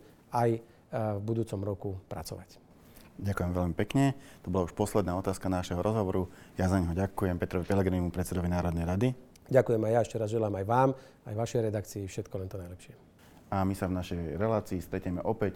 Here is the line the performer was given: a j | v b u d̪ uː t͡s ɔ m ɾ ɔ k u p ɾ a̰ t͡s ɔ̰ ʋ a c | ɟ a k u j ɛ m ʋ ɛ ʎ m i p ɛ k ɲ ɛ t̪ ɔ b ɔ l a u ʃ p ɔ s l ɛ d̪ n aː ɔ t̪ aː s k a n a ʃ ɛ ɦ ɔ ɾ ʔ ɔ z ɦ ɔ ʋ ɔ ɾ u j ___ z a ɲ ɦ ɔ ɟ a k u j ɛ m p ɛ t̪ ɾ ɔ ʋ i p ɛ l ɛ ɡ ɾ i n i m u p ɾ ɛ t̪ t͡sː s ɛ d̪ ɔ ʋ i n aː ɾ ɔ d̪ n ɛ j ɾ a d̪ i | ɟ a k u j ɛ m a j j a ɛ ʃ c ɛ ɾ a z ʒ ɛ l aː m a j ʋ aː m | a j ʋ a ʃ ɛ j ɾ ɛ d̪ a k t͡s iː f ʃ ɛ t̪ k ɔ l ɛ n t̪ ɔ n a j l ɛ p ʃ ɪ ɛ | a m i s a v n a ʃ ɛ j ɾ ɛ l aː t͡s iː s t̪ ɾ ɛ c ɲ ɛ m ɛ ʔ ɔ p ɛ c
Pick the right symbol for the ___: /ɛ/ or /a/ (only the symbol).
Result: a